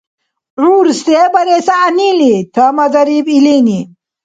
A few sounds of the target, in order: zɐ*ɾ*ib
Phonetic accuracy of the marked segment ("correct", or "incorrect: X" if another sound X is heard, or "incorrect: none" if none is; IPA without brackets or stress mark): correct